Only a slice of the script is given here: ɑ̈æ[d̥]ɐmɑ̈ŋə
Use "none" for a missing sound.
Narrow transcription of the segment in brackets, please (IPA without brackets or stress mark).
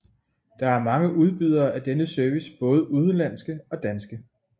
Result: none